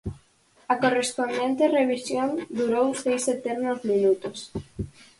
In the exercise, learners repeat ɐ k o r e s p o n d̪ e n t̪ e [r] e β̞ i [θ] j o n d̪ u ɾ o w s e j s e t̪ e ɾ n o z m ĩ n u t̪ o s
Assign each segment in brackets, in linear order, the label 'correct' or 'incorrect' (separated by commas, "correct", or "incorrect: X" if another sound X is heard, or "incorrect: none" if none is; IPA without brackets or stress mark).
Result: correct, incorrect: s